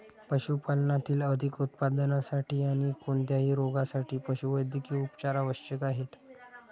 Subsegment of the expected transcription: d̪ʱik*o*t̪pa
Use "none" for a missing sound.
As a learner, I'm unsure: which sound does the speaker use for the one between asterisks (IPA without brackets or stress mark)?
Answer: u